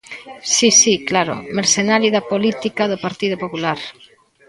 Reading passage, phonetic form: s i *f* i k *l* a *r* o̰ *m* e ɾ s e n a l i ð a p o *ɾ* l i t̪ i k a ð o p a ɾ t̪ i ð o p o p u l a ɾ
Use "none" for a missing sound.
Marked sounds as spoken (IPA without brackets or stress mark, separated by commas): s, l, ɾ, m, none